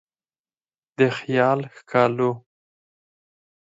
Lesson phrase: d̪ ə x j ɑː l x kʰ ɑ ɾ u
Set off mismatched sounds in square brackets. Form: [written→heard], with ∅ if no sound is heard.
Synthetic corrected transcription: d̪ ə x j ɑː l x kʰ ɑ [ɾ→l] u